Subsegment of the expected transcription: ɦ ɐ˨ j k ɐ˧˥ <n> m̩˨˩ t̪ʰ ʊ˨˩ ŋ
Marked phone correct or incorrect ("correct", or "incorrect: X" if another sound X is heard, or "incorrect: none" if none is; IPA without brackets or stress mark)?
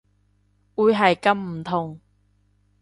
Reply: incorrect: m